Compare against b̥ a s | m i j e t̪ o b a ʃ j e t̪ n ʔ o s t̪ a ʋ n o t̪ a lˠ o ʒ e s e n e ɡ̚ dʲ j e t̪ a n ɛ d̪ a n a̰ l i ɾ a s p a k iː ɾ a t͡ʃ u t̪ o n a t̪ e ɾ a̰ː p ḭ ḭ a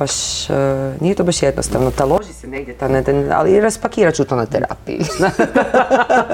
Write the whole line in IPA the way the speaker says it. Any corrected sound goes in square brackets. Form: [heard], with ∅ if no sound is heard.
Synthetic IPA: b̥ a [ʃ] | [n] i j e t̪ o b a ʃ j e [d̪] n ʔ o s t̪ a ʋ n o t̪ a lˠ o ʒ [i] s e n e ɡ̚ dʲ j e t̪ a n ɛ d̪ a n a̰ l i ɾ a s p a k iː ɾ a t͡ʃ u t̪ o n a t̪ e ɾ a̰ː p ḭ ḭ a